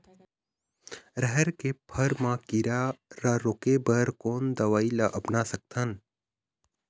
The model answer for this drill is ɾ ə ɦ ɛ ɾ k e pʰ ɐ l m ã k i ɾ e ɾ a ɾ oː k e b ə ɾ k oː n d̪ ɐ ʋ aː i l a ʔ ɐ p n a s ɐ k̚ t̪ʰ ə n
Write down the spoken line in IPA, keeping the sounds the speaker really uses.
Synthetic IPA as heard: ɾ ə ɦ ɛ ɾ k e pʰ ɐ ɾ m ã k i ɾ a ɾ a ɾ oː k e b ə ɾ k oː n d̪ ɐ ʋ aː i l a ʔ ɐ p n a s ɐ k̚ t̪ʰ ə n